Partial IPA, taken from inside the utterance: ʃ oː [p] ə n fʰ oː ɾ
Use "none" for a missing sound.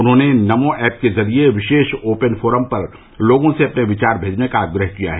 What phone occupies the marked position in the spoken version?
p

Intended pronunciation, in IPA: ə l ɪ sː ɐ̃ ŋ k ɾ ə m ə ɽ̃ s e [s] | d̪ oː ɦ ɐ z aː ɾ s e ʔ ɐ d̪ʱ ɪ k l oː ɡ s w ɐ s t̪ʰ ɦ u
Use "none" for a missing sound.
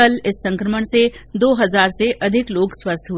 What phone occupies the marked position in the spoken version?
none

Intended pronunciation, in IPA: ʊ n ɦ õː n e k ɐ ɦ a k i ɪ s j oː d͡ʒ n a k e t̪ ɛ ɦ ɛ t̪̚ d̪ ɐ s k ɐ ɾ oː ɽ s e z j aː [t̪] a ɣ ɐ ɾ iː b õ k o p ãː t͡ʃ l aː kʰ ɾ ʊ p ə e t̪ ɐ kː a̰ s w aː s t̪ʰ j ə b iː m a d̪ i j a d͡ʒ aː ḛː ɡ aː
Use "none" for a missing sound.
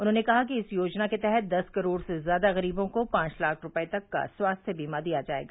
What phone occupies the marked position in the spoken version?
d̪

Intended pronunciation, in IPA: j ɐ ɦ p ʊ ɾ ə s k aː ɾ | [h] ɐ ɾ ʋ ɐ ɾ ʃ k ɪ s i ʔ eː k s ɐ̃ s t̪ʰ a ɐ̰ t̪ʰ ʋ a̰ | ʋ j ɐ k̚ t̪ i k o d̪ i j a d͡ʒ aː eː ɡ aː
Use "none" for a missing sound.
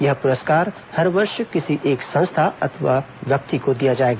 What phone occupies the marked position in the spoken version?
h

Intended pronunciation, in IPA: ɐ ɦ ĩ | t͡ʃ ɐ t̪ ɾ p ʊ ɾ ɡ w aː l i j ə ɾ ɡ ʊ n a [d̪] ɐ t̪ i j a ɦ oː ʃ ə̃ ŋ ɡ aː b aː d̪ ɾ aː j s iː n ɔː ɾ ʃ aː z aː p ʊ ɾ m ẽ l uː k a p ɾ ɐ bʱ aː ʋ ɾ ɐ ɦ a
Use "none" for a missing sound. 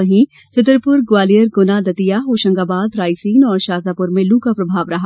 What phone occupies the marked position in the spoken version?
d̪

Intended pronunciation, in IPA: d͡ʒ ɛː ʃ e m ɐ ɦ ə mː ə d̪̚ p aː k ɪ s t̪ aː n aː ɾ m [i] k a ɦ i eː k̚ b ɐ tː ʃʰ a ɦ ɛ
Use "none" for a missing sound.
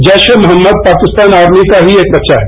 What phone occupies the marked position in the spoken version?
i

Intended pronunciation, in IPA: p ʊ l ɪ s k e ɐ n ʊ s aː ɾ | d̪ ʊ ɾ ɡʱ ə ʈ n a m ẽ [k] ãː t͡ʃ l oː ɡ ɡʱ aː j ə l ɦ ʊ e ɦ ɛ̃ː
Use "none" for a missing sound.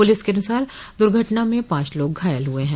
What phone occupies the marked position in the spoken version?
p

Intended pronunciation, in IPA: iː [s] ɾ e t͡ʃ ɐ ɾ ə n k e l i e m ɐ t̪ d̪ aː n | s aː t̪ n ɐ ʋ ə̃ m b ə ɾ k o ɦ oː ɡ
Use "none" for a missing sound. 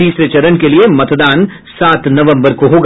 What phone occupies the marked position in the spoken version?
s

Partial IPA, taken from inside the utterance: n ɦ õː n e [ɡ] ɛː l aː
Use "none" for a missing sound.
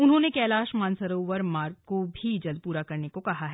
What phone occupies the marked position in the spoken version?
k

